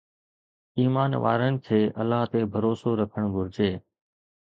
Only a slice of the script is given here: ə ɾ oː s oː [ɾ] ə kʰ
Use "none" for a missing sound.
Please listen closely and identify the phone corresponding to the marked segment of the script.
ɾ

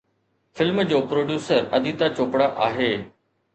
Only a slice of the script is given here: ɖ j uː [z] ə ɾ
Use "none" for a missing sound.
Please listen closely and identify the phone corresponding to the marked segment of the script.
s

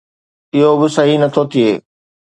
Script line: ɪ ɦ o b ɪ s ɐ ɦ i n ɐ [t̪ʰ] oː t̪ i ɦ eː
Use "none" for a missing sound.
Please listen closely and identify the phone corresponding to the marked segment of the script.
t̪ʰ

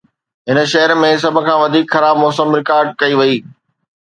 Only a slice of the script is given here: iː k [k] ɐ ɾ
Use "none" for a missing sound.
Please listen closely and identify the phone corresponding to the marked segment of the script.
x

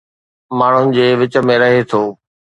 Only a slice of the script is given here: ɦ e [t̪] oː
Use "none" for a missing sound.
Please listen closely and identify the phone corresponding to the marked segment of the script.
t̪ʰ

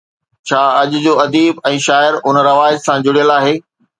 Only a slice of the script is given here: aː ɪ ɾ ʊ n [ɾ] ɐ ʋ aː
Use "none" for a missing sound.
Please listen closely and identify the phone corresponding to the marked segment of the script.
ɾ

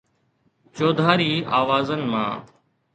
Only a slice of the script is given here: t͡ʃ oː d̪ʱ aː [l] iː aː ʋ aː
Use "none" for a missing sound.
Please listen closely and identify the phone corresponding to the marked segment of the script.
ɾ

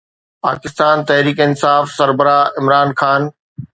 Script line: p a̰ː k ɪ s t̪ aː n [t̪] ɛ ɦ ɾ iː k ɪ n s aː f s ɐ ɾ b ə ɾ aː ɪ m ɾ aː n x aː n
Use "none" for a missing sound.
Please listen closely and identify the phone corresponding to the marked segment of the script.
t̪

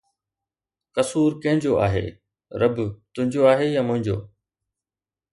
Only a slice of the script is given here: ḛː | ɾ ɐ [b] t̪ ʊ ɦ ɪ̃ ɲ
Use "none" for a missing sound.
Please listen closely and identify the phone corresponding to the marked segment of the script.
b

